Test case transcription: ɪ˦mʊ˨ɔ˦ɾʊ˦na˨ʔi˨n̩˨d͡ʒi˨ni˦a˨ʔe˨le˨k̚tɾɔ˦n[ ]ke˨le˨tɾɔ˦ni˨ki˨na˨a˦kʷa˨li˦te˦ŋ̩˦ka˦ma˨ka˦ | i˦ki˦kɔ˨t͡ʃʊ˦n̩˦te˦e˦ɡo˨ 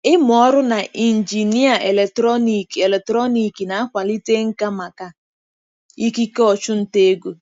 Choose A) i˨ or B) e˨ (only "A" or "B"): A